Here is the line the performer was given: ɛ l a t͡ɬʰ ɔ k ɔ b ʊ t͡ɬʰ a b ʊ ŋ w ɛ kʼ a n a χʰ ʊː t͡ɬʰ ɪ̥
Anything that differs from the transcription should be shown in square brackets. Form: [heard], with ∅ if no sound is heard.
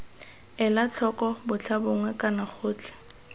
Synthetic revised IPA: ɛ l a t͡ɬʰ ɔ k ɔ b ʊ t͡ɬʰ a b ʊ ŋ w ɛ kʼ a n a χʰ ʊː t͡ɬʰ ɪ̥